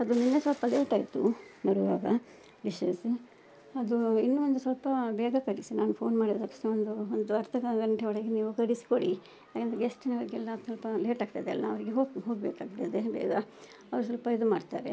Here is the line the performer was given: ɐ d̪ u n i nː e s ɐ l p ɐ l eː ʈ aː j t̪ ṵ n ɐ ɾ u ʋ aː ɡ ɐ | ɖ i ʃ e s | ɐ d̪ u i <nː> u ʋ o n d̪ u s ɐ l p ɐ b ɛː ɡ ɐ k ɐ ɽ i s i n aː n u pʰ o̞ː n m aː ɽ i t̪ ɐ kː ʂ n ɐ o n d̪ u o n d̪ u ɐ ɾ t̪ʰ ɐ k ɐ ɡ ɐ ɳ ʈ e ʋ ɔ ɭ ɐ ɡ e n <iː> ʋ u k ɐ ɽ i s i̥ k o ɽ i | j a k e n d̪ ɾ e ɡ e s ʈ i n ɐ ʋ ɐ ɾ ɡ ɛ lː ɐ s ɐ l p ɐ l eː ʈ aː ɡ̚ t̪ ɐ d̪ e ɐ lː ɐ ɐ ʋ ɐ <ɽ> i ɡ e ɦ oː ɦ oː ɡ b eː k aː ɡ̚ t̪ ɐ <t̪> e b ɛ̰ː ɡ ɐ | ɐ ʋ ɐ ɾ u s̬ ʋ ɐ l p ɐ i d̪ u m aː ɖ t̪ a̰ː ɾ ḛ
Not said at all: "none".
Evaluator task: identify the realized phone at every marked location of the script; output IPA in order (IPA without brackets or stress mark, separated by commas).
nː, iː, ɾ, d̪